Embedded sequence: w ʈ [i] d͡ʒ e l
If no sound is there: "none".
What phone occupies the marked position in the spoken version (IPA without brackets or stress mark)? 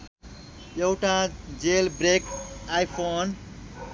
a